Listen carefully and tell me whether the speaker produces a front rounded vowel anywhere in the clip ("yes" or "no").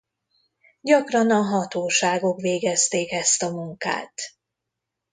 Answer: no